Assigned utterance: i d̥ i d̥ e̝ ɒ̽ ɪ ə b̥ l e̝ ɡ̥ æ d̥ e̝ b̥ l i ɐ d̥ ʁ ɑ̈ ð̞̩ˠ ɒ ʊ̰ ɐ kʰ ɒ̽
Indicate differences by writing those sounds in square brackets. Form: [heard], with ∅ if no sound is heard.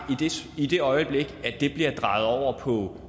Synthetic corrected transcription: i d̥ i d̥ e̝ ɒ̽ ɪ ə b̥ l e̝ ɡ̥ æ d̥ e̝ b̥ l i ɐ d̥ ʁ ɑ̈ ð̞̩ˠ ɒ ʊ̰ ɐ [pʰ] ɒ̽